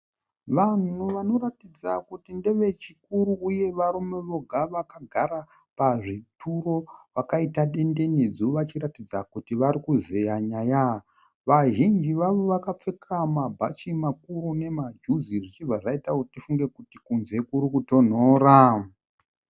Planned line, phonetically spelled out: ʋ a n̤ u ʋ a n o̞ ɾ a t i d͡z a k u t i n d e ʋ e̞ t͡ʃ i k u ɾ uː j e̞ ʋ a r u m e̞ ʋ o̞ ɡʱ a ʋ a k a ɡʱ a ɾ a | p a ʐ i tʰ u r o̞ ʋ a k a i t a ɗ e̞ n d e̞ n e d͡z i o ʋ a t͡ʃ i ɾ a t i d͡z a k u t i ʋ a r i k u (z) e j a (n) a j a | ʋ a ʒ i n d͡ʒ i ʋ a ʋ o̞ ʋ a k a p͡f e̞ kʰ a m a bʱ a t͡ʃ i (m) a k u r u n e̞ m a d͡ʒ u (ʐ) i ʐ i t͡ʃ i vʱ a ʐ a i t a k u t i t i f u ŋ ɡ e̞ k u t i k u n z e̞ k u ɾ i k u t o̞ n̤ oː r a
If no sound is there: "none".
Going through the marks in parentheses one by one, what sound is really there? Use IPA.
z, ɲ, m, z

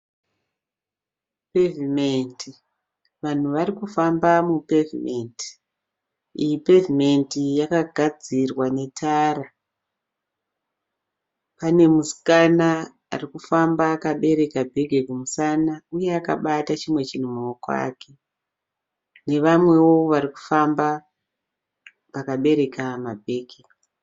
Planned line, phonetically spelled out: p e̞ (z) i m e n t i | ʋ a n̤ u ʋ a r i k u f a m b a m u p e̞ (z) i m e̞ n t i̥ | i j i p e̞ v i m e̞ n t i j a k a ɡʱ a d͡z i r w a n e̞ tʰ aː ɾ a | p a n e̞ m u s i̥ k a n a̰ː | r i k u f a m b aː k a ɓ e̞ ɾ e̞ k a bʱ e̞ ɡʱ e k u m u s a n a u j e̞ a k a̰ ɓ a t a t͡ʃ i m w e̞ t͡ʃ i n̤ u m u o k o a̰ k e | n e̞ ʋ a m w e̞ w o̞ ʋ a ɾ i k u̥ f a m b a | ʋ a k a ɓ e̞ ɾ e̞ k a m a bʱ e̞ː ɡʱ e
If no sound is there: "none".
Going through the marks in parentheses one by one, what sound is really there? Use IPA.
v, v

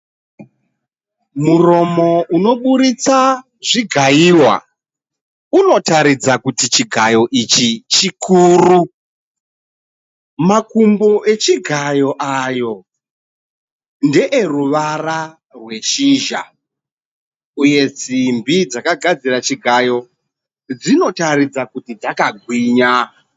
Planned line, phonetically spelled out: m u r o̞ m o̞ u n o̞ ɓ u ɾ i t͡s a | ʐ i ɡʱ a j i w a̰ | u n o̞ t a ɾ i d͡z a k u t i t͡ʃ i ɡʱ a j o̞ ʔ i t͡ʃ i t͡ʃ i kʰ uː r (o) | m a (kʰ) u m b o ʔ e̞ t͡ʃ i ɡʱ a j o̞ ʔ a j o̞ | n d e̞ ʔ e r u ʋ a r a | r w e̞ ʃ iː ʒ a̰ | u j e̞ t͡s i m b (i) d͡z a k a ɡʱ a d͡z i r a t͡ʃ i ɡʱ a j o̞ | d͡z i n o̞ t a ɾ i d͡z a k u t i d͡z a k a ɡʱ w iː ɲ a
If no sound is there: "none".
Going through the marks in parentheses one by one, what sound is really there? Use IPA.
u, k, i

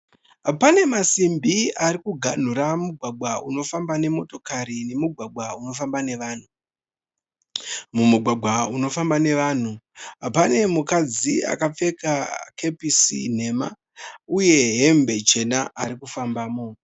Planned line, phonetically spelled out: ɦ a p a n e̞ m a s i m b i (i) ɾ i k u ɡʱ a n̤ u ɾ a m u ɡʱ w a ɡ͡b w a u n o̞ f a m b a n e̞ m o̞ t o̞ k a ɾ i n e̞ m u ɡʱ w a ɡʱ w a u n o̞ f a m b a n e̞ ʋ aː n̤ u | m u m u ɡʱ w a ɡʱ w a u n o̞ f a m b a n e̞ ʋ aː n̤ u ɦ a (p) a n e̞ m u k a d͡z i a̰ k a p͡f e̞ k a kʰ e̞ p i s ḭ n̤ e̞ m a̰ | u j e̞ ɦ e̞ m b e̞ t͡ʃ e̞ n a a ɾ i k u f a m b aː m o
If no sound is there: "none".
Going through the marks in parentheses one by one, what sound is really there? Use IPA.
a, p

